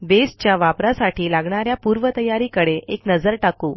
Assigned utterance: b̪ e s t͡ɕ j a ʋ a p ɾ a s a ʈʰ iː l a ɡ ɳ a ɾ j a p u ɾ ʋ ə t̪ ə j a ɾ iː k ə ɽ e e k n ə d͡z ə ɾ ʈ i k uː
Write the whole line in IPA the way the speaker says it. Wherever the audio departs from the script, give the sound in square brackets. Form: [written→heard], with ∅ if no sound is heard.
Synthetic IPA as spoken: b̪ e s t͡ɕ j a ʋ a p ɾ a s a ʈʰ iː l a ɡ ɳ a ɾ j a p u ɾ ʋ ə t̪ ə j a ɾ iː k ə ɽ e e k n ə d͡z ə ɾ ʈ [i→a] k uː